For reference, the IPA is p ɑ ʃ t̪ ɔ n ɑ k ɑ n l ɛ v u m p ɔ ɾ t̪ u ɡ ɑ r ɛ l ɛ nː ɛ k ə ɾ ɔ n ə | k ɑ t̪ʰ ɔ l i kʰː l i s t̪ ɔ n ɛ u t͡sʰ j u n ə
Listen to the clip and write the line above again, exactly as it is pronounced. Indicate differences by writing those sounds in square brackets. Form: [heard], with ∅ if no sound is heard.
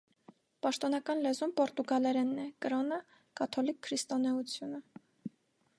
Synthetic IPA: p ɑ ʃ t̪ ɔ n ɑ k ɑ n l ɛ [z] u m p ɔ ɾ t̪ u ɡ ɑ [l] ɛ [ɾ] ɛ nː ɛ k ə ɾ ɔ n ə | k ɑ t̪ʰ ɔ l i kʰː [ɾ] i s t̪ ɔ n ɛ u t͡sʰ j u n ə